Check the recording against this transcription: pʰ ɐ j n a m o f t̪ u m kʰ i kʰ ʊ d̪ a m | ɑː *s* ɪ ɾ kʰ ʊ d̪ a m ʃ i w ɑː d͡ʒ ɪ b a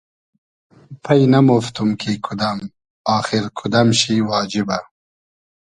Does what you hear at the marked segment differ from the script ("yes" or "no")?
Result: yes